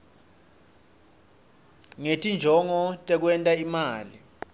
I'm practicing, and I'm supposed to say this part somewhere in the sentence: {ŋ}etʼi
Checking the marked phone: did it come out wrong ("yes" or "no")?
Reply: no